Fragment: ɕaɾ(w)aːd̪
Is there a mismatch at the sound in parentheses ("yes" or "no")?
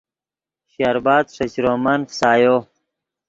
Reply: yes